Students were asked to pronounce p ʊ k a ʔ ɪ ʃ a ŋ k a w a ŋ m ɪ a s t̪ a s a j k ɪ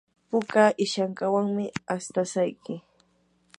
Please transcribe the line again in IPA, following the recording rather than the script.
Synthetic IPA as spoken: p ʊ k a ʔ ɪ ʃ a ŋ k a w a ŋ m ɪ a s t̪ a s a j k ɪ

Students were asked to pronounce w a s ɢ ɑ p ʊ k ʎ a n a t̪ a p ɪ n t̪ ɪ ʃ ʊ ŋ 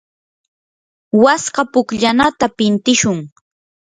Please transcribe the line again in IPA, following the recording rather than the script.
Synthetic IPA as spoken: w a s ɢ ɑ p ʊ k ʎ a n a t̪ a p ɪ n t̪ ɪ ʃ ʊ ŋ

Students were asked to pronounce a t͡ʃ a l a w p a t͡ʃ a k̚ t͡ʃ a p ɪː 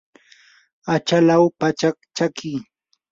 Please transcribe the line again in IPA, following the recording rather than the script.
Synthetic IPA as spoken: a t͡ʃ a l a w p a t͡ʃ a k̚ t͡ʃ a k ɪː

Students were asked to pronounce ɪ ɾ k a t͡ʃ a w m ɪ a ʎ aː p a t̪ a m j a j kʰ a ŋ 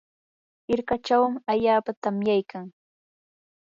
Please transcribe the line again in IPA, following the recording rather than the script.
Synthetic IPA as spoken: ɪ ɾ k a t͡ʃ a w m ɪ a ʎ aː p a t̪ a m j a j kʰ a ŋ

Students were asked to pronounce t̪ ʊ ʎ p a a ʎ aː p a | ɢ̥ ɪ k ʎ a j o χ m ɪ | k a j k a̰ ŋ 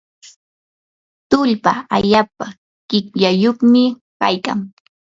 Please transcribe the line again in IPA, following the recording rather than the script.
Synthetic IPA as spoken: t̪ ʊ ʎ p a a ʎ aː p a | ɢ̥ ɪ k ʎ a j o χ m ɪ | k a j k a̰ ŋ

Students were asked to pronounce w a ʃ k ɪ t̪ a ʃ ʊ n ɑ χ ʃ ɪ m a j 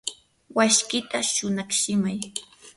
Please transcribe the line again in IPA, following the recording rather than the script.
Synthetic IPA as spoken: w a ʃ k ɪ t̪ a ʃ ʊ n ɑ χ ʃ ɪ m a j

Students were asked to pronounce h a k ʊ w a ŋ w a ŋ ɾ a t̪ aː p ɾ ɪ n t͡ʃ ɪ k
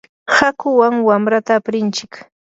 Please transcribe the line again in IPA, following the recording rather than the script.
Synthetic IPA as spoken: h a k ʊ w a ŋ w a m ɾ a t̪ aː p ɾ ɪ n t͡ʃ ɪ k

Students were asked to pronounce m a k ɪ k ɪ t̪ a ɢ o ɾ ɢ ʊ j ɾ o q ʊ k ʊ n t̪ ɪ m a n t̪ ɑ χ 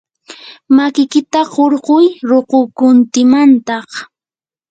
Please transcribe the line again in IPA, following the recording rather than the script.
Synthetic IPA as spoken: m a k ɪ k ɪ t̪ a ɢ o ɾ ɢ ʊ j ɾ o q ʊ k ʊ n t̪ ɪ m a n t̪ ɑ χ

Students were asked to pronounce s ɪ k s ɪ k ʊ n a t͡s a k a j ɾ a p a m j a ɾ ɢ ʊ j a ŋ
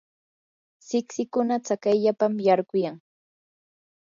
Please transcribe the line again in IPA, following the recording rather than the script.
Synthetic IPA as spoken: s ɪ k s ɪ k ʊ n a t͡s a k a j ʎ a p a m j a ɾ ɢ ʊ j a ŋ

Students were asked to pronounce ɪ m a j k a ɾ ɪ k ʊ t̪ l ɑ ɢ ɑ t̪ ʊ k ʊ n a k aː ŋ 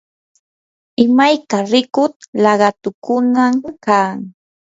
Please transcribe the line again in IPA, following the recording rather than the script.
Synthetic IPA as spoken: ɪ m a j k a ɾ ɪ k ʊ t̪ l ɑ ɢ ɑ t̪ ʊ k ʊ n a k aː ŋ

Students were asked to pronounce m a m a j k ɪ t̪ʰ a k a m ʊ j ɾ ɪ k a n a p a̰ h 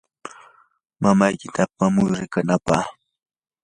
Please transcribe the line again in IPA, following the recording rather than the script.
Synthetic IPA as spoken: m a m a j k ɪ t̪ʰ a p a m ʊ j ɾ ɪ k a n a p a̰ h

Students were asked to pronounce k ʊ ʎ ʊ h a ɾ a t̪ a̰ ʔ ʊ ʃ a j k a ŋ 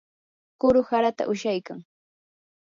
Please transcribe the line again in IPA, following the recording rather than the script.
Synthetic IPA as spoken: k ʊ ɾ ʊ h a ɾ a t̪ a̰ ʔ ʊ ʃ a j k a ŋ

